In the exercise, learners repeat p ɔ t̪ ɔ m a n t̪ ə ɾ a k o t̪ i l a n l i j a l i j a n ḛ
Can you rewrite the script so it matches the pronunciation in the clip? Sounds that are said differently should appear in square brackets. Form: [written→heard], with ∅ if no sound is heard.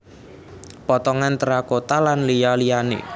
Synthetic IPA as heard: p ɔ t̪ ɔ [m→ŋ] a n t̪ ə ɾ a k o t̪ [i→a] l a n l i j a l i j a n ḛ